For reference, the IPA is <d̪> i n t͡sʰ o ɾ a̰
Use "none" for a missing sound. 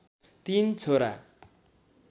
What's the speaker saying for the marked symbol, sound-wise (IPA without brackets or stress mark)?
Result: t̪